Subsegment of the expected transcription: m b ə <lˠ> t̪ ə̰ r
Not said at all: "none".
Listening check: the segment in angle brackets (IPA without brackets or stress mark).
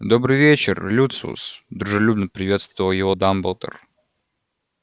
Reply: lˠ